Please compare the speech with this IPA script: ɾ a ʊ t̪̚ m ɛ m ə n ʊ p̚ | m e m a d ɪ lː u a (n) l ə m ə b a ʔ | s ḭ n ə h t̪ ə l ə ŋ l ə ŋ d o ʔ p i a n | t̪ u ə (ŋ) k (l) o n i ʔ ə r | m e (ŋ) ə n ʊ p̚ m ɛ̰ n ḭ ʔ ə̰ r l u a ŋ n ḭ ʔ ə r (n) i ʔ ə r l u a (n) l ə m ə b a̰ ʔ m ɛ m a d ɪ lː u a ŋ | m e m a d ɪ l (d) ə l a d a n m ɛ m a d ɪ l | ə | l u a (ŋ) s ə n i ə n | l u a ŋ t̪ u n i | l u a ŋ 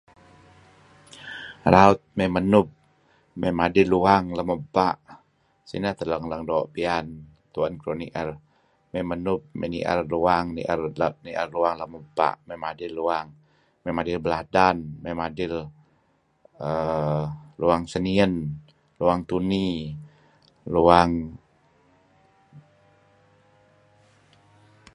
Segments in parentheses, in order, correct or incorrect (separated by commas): incorrect, incorrect, incorrect, incorrect, correct, incorrect, incorrect, correct